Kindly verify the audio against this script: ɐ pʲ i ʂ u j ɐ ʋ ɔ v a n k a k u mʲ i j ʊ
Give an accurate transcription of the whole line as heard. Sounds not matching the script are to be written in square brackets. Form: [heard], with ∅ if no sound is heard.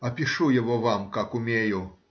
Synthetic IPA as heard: ɐ pʲ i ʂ u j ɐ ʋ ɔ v a [m] k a k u mʲ [e] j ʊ